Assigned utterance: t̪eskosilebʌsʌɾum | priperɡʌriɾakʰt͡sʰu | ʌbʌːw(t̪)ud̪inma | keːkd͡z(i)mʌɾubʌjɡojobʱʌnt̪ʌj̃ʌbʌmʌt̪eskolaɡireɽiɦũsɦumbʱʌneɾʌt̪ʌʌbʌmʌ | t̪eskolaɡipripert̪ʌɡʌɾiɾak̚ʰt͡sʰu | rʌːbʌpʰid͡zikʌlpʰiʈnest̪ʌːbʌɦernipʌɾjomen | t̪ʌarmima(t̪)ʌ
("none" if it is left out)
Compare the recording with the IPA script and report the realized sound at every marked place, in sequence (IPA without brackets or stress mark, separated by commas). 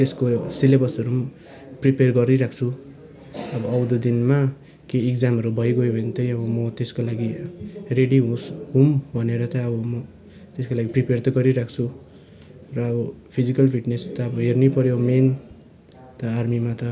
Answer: d̪, a, t̪